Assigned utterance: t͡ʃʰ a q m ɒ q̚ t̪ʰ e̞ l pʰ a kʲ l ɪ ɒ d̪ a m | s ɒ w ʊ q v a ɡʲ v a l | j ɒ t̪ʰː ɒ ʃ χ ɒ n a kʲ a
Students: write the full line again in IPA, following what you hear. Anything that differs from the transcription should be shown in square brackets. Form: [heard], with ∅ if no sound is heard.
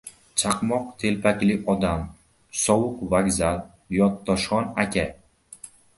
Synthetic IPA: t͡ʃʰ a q m ɒ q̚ t̪ʰ e̞ l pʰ a kʲ l ɪ ɒ d̪ a m | s ɒ w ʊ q v a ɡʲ [z] a l | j ɒ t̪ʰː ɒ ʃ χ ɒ n a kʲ a